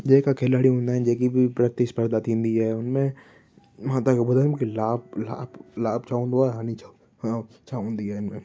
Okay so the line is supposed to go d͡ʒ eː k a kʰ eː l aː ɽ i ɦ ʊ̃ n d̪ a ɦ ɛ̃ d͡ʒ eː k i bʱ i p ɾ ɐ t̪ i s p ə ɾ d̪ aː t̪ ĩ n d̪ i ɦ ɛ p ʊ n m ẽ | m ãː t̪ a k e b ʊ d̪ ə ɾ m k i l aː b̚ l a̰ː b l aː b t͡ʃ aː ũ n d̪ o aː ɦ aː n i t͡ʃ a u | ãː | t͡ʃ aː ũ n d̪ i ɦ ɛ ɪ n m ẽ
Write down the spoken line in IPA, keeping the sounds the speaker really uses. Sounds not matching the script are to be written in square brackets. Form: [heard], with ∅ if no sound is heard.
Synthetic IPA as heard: d͡ʒ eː k a kʰ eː l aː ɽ i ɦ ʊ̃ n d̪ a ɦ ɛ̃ d͡ʒ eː k i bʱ i p ɾ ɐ t̪ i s p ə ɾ d̪ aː t̪ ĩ n d̪ i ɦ ɛ [∅] ʊ n m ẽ | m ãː t̪ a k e b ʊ d̪ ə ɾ m k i l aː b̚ l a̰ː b l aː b t͡ʃ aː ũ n d̪ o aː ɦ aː n i t͡ʃ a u | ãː | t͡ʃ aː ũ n d̪ i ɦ ɛ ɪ n m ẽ